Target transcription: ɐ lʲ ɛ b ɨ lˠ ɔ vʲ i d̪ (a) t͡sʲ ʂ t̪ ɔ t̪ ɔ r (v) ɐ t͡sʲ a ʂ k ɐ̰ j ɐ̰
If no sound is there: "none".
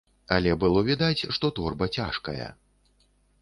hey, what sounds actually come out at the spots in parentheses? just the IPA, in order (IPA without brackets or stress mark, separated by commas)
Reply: a, b